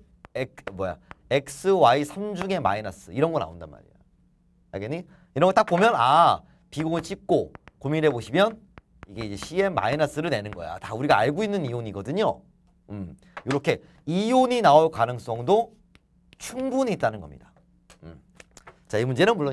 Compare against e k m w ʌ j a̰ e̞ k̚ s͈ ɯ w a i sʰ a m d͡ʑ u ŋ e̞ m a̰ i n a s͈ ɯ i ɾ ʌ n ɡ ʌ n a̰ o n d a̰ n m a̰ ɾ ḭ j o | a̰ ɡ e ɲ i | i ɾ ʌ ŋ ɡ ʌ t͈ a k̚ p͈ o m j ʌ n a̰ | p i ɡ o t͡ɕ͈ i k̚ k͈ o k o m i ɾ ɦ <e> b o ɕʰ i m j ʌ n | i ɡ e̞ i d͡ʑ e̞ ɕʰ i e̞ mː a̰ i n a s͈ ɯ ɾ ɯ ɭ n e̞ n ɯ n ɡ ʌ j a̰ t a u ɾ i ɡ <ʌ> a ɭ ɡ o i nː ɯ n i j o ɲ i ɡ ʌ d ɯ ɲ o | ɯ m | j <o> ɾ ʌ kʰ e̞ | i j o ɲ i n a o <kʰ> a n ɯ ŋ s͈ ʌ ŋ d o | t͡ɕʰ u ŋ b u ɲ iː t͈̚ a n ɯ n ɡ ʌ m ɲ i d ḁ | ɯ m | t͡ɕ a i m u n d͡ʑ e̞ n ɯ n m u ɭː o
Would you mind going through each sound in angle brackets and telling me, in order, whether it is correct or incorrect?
correct, incorrect: a, correct, incorrect: k

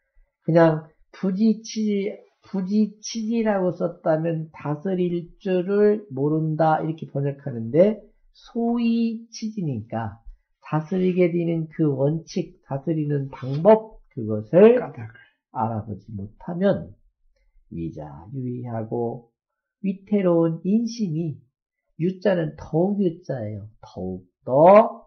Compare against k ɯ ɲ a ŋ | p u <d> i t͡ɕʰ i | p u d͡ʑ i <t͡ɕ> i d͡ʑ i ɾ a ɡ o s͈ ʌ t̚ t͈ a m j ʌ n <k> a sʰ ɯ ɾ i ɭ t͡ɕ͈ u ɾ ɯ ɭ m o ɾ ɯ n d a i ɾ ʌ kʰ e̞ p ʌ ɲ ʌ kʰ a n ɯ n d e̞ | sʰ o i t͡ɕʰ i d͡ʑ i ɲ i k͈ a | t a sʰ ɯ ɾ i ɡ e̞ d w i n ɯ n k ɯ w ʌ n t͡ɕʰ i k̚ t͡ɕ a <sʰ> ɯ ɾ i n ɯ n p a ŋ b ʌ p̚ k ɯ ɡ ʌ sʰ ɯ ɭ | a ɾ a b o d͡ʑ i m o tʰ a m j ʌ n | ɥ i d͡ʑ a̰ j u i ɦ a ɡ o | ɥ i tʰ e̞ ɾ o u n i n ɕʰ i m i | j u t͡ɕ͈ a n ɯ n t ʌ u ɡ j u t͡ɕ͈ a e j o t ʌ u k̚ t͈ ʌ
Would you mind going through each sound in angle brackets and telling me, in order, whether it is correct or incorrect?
incorrect: d͡ʑ, incorrect: t͡ɕʰ, incorrect: t, correct

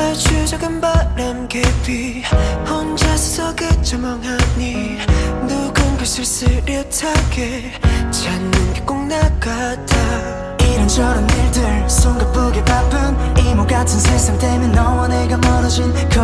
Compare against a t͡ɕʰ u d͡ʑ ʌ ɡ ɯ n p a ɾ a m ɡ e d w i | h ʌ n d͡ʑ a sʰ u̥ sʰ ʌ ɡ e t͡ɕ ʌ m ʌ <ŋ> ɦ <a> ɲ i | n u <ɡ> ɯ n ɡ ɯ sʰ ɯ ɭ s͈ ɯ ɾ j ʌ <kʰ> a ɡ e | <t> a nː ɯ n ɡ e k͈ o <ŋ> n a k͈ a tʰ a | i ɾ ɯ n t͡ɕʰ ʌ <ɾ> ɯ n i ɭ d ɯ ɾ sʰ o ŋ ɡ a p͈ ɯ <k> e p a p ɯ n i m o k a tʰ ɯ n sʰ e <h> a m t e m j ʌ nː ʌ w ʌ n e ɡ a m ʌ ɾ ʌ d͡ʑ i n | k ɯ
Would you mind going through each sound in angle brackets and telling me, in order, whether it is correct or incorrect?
correct, correct, correct, incorrect: tʰ, incorrect: t͡ɕ, correct, correct, incorrect: ɡ, incorrect: s

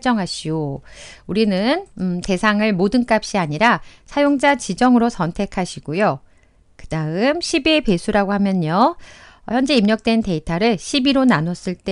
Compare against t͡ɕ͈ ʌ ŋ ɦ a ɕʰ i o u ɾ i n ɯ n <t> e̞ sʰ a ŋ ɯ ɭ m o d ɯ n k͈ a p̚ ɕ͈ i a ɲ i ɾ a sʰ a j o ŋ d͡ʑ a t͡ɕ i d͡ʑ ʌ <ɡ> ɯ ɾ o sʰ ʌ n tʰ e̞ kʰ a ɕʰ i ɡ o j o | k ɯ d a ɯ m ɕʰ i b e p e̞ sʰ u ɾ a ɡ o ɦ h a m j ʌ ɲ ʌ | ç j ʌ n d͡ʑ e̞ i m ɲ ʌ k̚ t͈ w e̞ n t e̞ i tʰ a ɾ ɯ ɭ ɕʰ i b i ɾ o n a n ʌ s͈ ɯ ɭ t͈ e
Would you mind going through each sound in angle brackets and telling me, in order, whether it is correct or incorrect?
correct, incorrect: ŋ

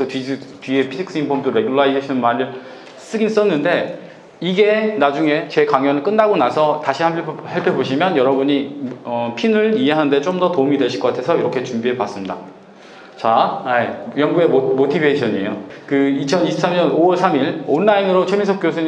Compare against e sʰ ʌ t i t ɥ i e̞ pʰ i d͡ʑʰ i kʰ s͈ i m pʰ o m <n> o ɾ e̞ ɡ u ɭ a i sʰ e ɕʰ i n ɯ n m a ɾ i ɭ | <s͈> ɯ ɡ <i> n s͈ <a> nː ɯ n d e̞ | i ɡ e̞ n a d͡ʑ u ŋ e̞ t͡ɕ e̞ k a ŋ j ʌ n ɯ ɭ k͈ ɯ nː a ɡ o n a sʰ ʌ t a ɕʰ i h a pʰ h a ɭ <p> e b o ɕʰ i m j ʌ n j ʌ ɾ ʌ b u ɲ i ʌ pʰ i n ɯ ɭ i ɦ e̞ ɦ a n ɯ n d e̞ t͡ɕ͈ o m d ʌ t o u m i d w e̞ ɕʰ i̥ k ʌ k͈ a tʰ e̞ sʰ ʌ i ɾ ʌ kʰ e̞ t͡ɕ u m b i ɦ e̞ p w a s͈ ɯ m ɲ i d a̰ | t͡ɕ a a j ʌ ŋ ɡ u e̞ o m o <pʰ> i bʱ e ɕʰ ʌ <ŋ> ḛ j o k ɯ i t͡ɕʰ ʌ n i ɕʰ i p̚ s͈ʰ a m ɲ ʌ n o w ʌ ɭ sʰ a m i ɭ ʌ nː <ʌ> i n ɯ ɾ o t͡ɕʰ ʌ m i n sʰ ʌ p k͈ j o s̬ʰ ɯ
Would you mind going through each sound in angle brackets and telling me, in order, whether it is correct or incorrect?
incorrect: d, correct, correct, incorrect: ʌ, incorrect: pʰ, incorrect: tʰ, incorrect: ɲ, incorrect: a

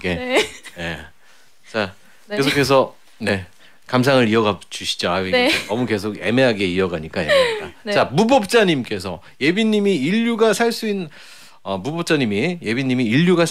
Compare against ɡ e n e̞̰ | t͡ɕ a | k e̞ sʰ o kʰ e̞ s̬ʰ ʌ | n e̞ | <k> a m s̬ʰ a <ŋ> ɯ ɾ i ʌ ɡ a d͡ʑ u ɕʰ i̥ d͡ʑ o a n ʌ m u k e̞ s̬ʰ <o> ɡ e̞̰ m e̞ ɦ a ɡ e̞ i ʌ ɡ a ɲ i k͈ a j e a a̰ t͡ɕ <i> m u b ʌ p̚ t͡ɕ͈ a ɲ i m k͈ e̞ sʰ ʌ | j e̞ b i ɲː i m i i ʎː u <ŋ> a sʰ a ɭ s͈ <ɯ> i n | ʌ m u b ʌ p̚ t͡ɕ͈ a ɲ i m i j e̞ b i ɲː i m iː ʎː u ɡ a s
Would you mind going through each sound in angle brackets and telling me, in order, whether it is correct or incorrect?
correct, correct, correct, incorrect: a, incorrect: ɡ, incorrect: u

